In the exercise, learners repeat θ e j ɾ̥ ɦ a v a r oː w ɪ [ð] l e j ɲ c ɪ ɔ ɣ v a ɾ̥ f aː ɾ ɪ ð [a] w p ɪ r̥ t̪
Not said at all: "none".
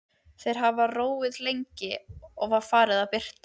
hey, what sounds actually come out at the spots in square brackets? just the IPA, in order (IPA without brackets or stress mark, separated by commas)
ð, a